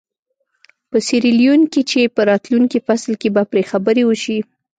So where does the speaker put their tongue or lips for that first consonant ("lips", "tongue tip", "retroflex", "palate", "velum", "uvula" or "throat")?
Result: lips